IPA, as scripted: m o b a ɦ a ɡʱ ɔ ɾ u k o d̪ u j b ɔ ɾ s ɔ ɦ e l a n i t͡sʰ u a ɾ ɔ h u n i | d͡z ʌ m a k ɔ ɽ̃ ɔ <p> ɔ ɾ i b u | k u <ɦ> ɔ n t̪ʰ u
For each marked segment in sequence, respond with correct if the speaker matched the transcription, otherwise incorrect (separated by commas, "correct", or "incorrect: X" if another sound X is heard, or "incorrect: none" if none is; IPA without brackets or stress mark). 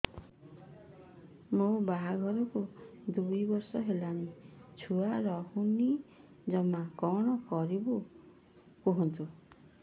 incorrect: k, correct